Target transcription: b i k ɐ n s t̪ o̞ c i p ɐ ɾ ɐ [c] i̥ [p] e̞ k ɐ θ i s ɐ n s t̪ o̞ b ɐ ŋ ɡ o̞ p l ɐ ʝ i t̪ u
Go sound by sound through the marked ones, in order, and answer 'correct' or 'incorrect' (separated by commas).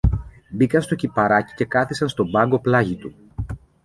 correct, incorrect